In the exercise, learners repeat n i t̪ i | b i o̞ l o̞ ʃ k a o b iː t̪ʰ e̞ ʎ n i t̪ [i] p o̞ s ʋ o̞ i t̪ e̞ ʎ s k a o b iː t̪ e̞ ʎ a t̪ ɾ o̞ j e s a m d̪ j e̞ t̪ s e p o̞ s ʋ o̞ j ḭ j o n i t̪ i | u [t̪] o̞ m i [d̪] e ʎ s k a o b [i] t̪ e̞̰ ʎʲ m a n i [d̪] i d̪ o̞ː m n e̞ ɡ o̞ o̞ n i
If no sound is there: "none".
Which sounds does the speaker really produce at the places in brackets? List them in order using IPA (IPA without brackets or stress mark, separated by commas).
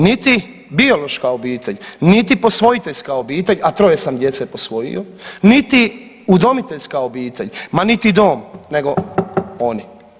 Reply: i, d̪, t̪, iː, t̪